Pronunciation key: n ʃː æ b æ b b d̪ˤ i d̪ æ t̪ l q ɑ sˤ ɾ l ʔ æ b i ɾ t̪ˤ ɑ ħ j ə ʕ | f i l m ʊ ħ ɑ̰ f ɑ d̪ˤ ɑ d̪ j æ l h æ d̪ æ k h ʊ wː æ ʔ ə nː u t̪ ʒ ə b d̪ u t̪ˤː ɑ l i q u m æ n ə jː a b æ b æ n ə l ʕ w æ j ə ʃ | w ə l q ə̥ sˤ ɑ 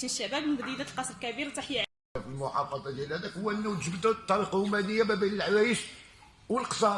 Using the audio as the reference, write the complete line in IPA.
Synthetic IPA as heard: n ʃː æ b æ b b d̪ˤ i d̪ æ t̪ l q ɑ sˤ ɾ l k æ b i ɾ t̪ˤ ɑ ħ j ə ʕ | f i l m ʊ ħ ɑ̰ f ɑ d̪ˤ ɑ d̪ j æ l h æ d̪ æ k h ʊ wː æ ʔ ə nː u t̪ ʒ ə b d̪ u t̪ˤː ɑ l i q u m æ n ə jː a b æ b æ n ə l ʕ w æ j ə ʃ | w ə l q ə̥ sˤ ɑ